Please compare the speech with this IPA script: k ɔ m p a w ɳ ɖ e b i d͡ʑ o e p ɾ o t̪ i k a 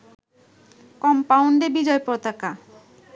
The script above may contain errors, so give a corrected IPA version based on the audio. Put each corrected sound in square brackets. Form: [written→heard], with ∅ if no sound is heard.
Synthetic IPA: k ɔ m p a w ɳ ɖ e b i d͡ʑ [o→ɔ] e p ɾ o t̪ [i→a] k a